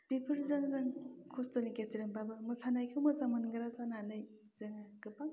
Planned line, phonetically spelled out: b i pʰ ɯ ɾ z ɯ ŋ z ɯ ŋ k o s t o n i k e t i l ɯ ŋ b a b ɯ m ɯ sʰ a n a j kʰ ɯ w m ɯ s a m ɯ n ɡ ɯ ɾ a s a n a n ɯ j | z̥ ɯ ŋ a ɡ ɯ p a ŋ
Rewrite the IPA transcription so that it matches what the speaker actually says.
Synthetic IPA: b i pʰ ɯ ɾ z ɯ ŋ z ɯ ŋ kʰ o s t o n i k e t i ɾ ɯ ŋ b a b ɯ m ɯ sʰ a n a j kʰ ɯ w m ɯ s a m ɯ n ɡ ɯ ɾ a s a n a n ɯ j | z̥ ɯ ŋ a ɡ ɯ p a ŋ